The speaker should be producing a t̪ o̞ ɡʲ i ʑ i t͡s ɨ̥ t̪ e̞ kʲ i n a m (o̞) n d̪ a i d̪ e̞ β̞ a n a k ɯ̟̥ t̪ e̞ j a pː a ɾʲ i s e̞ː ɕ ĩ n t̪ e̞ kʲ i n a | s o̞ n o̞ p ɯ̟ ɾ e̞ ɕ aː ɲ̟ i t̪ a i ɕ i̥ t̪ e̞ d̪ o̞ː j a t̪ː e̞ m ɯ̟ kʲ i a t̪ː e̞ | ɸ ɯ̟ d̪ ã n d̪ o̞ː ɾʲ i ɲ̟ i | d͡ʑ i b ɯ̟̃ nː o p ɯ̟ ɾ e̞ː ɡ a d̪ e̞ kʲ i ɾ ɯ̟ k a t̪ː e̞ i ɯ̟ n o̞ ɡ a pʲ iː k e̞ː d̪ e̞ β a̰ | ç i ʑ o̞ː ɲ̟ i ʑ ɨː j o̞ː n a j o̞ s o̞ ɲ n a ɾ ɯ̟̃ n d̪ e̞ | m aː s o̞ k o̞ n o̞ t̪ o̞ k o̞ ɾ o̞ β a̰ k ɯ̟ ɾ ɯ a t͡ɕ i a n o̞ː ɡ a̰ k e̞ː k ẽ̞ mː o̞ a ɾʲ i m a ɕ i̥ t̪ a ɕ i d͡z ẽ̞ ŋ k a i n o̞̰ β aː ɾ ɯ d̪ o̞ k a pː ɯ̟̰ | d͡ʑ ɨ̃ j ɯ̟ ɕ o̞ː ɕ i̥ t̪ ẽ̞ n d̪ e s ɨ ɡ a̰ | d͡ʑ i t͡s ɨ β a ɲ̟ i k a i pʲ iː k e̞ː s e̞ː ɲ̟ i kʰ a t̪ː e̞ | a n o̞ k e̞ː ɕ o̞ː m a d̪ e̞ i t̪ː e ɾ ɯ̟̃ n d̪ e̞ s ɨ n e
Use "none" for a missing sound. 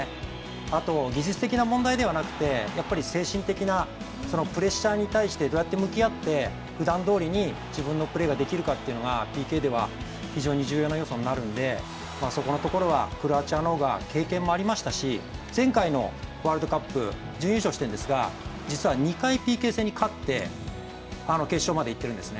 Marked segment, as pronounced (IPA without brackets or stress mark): õ̞